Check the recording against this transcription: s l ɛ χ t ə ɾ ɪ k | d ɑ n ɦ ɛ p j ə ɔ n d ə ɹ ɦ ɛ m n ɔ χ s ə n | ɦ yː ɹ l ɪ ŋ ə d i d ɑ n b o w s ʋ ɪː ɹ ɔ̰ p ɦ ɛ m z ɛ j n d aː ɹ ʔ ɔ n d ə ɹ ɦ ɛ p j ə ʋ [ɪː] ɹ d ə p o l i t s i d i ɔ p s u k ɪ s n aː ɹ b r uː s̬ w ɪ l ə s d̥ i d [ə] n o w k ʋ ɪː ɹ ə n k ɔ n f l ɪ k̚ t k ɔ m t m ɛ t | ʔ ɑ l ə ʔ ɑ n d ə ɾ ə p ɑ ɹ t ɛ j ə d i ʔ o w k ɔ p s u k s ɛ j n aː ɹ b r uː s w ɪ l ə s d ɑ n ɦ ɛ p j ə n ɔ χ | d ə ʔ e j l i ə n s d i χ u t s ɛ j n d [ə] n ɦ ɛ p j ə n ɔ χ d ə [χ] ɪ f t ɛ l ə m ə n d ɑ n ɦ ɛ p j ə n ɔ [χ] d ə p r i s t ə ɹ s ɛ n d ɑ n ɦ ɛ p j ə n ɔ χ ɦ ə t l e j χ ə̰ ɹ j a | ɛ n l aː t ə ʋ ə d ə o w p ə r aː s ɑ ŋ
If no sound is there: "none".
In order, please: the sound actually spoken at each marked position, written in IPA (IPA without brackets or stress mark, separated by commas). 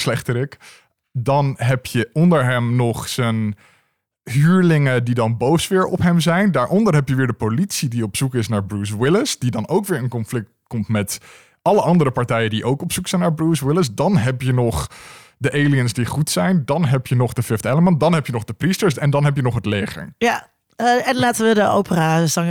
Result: ɪː, ɑ, ɑ, f, χ